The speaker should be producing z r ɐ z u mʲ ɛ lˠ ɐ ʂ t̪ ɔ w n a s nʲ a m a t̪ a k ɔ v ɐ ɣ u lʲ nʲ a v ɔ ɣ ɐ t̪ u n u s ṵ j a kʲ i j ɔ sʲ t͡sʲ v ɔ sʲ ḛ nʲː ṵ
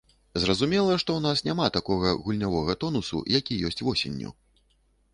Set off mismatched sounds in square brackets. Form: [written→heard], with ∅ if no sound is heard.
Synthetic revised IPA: z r ɐ z u mʲ ɛ lˠ ɐ ʂ t̪ ɔ w n a s nʲ a m a t̪ a k ɔ [v→ɣ] ɐ ɣ u lʲ nʲ a v ɔ ɣ ɐ t̪ [u→ɔ] n u s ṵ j a kʲ i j ɔ sʲ t͡sʲ v ɔ sʲ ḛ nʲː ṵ